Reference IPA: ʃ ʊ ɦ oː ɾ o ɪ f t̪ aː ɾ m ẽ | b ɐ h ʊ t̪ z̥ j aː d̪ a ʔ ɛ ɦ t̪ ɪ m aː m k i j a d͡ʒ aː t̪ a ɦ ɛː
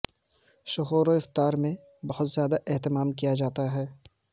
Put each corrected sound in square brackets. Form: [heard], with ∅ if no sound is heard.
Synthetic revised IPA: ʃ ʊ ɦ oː ɾ o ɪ f t̪ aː ɾ m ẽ | b ɐ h ʊ t̪ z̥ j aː d̪ a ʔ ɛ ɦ t̪ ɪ m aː m k i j a d͡ʒ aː t̪ a ɦ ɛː